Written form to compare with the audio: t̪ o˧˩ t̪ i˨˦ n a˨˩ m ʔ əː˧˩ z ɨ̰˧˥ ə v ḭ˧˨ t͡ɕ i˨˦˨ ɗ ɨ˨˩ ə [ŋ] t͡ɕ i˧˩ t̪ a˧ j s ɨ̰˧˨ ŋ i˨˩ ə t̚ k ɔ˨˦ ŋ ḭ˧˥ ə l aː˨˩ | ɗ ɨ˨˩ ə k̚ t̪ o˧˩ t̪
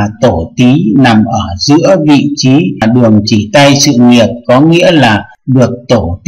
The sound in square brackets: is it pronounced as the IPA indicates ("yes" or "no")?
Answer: yes